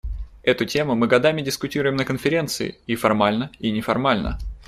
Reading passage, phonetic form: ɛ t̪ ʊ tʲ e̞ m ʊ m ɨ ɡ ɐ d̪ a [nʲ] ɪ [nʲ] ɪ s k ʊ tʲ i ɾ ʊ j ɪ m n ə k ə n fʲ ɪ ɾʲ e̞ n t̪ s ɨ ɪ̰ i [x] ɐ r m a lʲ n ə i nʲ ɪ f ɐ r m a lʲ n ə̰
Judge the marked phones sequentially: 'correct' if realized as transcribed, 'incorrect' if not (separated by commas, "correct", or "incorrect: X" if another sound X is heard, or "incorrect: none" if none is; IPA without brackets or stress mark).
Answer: incorrect: mʲ, incorrect: dʲ, incorrect: f